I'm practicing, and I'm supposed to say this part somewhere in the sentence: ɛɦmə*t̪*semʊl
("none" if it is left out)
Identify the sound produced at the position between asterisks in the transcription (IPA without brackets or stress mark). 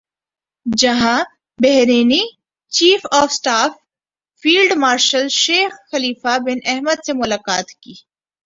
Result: d̪